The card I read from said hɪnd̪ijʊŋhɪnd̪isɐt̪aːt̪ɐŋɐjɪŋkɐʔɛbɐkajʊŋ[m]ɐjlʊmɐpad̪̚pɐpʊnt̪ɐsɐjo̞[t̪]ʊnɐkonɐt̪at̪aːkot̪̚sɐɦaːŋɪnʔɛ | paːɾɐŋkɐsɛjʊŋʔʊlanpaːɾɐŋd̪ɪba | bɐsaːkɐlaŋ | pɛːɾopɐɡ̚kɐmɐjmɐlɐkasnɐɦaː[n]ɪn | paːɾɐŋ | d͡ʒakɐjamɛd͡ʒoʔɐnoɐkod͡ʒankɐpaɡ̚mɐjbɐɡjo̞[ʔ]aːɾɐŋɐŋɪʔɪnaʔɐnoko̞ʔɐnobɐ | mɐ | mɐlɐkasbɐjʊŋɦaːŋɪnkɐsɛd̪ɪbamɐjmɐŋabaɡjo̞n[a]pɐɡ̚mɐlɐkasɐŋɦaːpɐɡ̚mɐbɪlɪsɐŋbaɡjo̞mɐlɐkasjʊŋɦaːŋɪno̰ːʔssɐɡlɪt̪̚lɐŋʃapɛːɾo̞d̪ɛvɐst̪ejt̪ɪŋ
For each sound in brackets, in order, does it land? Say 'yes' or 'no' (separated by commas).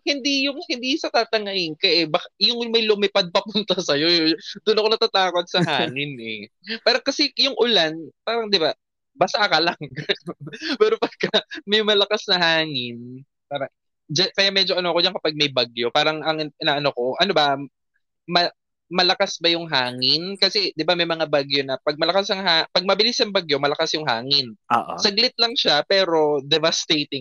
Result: yes, no, no, no, no